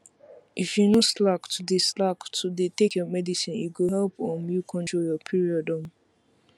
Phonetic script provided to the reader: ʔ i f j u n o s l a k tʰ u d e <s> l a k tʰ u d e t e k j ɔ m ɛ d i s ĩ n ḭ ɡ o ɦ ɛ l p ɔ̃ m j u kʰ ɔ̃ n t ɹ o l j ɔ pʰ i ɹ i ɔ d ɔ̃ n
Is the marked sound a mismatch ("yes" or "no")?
no